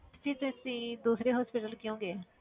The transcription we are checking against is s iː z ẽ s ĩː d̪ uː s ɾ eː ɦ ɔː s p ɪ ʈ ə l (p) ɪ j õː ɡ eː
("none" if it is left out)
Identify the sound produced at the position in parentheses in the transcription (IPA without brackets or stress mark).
k